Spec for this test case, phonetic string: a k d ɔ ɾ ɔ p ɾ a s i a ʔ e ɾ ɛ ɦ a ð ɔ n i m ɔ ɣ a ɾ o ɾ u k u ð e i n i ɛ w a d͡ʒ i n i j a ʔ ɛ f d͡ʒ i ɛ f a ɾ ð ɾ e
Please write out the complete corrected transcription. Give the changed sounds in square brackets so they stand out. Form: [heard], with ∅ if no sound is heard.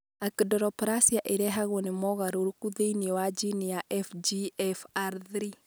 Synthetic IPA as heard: a k d ɔ ɾ ɔ p ɾ a s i a ʔ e ɾ ɛ ɦ a [ɣ] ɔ n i m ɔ ɣ a ɾ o ɾ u k u ð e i n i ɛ w a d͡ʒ i n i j a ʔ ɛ f d͡ʒ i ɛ f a ɾ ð ɾ [i]